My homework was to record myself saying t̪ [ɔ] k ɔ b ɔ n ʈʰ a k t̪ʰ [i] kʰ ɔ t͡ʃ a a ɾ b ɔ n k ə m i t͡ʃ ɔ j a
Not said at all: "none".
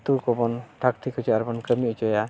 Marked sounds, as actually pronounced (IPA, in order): u, i

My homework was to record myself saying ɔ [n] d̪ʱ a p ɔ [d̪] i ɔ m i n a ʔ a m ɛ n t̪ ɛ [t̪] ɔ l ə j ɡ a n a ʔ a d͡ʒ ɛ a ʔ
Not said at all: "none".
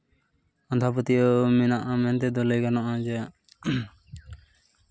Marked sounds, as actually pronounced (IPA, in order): n, t̪, d̪

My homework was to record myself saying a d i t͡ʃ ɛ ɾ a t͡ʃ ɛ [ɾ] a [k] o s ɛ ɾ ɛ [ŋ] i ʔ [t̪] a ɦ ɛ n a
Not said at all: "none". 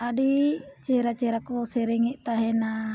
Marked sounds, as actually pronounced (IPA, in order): ɾ, k, ŋ, t̪

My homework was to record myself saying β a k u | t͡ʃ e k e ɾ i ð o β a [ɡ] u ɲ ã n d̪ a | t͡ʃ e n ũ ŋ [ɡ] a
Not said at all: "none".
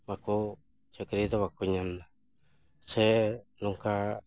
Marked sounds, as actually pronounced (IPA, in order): k, k

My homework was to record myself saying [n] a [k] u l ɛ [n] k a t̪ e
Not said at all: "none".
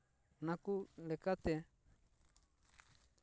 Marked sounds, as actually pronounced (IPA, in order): n, k, none

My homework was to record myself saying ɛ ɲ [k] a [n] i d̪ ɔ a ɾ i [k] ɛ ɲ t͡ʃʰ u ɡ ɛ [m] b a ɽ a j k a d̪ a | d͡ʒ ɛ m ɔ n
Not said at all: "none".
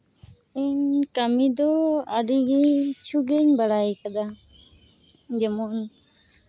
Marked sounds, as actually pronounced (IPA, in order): k, m, ɡ, ɲ

